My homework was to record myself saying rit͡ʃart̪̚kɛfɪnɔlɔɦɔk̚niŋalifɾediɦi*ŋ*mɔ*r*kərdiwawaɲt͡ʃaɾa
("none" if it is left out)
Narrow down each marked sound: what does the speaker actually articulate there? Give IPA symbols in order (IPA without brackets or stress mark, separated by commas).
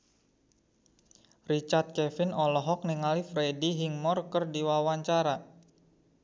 ŋ, r